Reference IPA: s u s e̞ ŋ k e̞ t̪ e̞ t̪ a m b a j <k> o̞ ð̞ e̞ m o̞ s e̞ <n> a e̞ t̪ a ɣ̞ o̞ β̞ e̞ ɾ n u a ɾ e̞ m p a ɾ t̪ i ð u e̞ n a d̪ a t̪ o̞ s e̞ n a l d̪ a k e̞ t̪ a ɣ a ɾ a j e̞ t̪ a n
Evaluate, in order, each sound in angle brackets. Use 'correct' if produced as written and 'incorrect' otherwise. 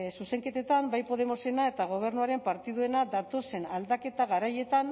incorrect: p, correct

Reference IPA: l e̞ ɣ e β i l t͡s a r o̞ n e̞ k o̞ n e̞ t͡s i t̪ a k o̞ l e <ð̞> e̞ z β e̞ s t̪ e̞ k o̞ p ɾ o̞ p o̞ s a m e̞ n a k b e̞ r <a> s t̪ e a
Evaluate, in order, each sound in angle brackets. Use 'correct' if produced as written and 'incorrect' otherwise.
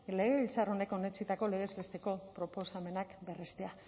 incorrect: ɣ̞, incorrect: e

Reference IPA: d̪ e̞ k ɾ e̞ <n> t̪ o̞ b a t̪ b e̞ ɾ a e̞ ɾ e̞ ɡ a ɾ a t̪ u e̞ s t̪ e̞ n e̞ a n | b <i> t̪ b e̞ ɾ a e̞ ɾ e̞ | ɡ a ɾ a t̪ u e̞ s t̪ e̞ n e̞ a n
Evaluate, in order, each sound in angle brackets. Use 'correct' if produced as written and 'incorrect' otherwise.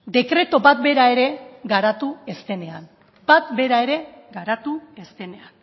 incorrect: none, incorrect: a

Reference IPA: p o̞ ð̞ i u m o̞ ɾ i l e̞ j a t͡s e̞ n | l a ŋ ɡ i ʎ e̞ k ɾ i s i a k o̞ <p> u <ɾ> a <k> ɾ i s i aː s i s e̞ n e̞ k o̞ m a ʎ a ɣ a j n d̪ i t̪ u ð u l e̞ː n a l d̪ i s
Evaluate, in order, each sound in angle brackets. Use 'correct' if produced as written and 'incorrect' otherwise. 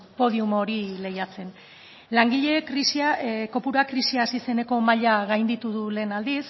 correct, correct, correct

